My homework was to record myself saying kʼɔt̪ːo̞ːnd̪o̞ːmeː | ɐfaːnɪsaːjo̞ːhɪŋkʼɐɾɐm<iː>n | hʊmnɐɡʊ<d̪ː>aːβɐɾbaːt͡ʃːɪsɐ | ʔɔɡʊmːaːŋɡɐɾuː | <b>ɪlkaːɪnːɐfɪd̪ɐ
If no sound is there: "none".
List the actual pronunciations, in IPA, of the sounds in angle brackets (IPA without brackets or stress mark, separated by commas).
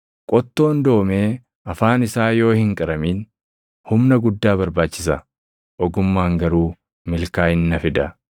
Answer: iː, d̪ː, m